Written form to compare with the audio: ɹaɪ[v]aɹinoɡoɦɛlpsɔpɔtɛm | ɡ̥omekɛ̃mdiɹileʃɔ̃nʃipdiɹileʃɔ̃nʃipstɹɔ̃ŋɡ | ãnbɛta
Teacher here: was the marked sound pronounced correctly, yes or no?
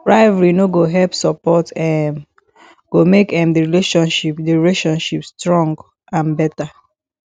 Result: yes